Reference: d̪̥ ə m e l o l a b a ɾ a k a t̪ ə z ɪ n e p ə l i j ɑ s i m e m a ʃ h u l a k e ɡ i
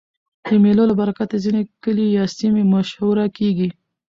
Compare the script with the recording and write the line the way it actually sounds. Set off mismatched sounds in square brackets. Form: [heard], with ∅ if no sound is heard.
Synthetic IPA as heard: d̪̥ ə m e l o l a b a ɾ a k a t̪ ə z [i] n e [k] ə l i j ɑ s i m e m a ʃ h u [ɾ] a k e ɡ i